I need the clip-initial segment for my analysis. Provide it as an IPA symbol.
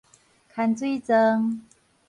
kʰ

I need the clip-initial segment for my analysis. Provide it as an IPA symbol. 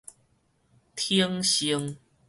t̪ʰ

